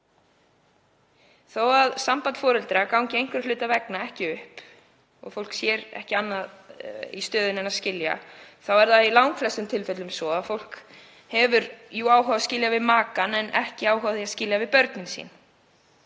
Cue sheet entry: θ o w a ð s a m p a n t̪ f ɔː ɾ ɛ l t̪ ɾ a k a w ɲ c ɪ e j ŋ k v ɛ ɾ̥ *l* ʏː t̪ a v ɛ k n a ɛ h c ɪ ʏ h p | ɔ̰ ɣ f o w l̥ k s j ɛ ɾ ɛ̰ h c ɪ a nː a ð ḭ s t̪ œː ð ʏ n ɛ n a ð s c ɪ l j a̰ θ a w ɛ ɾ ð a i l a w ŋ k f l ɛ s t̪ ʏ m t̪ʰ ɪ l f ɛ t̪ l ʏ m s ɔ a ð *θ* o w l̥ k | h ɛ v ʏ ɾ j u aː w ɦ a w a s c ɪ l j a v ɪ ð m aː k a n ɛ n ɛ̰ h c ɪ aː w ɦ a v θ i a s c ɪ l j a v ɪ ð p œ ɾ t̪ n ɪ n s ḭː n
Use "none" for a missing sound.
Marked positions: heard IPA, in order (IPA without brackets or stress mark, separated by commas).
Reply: l, f